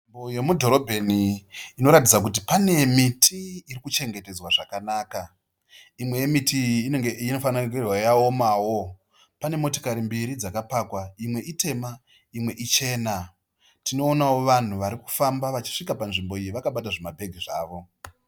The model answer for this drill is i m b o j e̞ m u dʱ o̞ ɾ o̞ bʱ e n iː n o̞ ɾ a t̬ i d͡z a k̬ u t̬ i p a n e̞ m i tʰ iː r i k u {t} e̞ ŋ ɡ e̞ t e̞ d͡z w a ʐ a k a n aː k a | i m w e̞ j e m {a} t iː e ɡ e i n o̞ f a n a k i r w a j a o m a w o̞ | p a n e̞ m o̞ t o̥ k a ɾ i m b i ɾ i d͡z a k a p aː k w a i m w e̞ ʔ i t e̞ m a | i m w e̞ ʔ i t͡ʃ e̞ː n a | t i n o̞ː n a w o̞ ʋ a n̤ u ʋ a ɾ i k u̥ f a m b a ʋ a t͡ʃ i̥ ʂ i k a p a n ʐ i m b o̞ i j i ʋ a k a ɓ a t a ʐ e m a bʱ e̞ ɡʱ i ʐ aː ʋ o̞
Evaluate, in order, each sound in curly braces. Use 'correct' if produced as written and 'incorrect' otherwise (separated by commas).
incorrect, incorrect